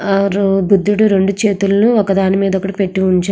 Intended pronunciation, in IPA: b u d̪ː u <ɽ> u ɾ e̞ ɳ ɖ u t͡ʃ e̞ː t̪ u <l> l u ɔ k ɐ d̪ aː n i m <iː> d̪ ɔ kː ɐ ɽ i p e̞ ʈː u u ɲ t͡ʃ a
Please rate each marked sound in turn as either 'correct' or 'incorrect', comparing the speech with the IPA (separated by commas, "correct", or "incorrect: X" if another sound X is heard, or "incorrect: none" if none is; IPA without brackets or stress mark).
correct, correct, correct